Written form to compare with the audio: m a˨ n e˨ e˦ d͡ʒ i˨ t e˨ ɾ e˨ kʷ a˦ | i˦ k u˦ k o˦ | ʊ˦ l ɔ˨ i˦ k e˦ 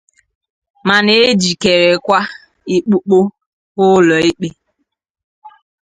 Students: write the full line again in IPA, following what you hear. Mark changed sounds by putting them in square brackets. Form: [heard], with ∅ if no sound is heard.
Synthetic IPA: m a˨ n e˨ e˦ d͡ʒ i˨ [k] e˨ ɾ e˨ kʷ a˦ | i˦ [k͡p] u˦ [k͡p] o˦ | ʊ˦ l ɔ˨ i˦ [k͡p] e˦